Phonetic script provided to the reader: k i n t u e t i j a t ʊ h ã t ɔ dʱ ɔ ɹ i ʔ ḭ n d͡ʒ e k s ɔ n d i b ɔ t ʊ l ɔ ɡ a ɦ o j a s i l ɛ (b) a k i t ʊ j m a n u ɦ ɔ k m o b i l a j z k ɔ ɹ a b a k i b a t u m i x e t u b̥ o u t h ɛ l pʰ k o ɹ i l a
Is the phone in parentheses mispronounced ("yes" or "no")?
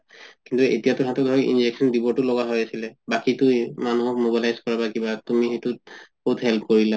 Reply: no